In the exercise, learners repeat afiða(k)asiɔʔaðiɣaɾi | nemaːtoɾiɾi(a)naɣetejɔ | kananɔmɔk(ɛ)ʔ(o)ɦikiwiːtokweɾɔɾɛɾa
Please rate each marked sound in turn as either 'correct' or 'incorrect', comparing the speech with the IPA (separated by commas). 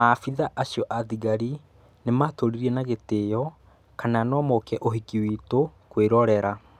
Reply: incorrect, incorrect, correct, correct